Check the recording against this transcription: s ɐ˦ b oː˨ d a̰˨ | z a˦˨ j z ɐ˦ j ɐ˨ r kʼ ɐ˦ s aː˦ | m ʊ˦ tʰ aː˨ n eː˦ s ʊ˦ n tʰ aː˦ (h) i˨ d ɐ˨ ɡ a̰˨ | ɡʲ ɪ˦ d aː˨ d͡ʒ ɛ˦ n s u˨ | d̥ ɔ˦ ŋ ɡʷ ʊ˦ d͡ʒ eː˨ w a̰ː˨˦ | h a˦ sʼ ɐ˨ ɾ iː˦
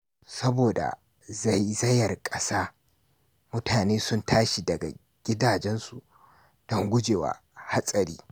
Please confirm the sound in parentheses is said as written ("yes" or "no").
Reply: no